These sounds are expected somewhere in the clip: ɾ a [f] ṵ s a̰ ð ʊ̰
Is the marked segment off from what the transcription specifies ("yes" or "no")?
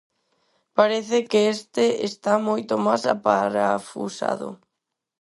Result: no